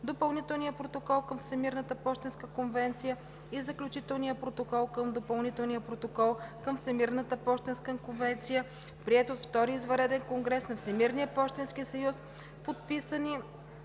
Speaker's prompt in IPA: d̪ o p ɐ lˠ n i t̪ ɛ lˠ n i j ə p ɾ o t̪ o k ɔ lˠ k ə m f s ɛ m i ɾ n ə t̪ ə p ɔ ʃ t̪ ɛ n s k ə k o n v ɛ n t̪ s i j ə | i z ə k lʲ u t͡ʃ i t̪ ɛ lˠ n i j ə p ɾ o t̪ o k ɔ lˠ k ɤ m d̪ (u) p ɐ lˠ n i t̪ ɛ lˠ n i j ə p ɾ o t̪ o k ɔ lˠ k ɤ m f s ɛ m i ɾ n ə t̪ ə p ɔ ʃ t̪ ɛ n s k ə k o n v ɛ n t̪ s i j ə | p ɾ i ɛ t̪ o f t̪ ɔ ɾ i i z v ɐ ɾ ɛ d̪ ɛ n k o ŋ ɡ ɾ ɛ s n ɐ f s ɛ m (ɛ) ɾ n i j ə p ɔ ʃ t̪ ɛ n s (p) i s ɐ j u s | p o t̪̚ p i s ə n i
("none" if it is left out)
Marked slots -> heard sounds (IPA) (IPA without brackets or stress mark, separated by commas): o, i, k